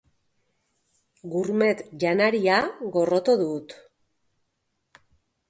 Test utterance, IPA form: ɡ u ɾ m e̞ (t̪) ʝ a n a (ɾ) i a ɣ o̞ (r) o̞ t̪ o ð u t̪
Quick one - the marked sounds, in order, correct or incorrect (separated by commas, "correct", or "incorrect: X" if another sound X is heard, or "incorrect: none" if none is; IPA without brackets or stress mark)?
correct, correct, correct